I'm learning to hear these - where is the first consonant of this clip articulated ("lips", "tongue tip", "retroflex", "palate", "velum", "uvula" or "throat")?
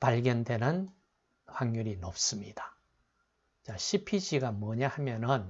lips